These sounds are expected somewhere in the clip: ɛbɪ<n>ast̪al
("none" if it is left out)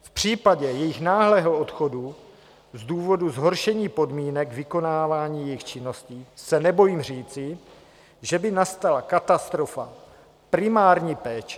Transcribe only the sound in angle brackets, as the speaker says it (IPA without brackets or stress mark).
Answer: n